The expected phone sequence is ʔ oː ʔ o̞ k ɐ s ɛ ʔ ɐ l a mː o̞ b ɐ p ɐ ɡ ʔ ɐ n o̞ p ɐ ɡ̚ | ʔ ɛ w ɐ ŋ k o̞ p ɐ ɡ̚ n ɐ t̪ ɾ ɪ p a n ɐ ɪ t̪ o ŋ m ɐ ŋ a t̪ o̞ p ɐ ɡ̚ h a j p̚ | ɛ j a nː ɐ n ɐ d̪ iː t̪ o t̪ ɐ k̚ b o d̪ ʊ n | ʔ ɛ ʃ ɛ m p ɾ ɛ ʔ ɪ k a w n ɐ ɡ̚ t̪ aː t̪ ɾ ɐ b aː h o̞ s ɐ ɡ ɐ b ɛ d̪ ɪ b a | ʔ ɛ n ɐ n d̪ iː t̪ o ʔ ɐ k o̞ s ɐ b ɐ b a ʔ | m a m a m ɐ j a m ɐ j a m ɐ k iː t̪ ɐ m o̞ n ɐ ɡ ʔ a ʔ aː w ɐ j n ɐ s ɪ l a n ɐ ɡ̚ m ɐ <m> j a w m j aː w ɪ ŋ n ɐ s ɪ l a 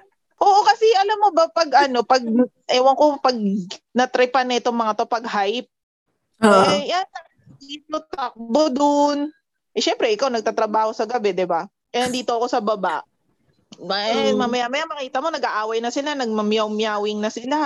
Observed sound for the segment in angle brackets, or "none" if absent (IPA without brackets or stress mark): m